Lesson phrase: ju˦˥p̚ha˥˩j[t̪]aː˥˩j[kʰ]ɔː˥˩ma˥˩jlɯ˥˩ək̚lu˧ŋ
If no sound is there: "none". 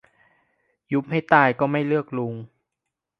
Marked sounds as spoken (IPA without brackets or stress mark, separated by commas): t̪, k